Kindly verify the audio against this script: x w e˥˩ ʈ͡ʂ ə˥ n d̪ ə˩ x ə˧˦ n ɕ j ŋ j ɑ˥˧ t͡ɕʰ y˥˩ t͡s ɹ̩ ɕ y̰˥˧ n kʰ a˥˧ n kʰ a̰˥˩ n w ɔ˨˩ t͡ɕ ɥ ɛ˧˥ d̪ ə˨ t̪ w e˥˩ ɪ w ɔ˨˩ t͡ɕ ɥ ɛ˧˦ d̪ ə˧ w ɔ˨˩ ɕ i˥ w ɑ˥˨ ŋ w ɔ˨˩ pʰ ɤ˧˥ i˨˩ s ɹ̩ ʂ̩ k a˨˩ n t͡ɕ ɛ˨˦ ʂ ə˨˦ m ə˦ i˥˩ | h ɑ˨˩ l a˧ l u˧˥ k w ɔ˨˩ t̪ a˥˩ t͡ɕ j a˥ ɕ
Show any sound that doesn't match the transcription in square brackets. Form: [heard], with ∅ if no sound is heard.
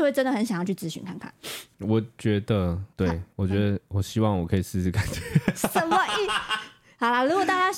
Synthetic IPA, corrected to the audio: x w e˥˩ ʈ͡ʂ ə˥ n d̪ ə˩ x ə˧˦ n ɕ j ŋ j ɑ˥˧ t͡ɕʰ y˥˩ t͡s ɹ̩ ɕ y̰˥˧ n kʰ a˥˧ n kʰ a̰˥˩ n w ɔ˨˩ t͡ɕ ɥ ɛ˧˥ d̪ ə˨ t̪ w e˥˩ ɪ w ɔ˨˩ t͡ɕ ɥ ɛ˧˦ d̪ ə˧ w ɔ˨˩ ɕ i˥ w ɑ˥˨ ŋ w ɔ˨˩ [kʰ] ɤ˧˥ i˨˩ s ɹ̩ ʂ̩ k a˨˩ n t͡ɕ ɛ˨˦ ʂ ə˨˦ m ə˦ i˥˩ | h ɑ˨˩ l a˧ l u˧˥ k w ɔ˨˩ t̪ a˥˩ t͡ɕ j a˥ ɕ